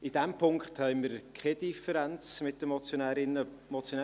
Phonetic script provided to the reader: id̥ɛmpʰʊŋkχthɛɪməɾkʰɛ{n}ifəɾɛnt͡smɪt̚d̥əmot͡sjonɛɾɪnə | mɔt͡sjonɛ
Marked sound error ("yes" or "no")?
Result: yes